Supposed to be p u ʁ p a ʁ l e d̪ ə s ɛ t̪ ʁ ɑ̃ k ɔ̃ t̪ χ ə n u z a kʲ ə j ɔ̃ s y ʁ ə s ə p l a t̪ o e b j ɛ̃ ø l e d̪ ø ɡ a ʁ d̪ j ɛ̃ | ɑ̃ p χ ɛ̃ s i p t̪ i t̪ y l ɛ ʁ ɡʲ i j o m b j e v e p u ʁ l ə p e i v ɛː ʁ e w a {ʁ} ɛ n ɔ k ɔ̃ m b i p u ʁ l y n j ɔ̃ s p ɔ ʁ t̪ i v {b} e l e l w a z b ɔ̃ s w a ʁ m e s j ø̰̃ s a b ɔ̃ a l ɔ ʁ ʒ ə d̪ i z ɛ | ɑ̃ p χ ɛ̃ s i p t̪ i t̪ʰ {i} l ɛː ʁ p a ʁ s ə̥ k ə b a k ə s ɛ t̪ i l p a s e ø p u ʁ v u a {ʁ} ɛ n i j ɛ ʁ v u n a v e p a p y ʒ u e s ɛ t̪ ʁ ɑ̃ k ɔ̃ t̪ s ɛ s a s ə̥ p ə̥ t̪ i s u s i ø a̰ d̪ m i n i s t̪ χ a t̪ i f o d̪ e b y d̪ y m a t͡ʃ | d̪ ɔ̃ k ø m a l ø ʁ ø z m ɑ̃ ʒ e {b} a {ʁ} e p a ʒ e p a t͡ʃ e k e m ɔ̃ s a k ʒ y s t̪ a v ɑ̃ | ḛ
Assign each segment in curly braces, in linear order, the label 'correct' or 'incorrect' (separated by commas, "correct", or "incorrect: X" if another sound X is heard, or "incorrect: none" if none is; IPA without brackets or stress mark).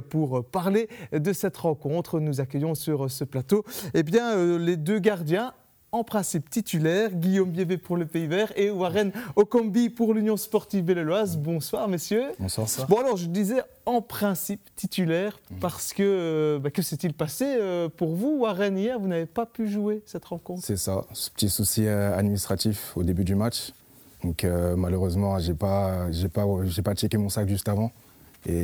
correct, correct, incorrect: y, correct, incorrect: p, incorrect: ʒ